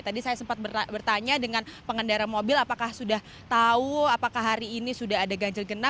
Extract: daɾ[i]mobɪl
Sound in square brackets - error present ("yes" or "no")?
yes